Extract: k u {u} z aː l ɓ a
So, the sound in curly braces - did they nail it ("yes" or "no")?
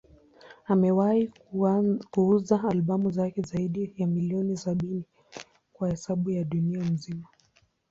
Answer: yes